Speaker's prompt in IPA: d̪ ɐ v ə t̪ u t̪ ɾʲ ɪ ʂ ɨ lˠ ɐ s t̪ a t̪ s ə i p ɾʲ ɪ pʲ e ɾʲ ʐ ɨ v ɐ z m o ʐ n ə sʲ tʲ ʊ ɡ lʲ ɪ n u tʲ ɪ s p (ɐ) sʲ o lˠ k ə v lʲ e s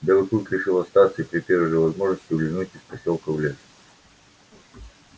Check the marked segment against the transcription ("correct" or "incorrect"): correct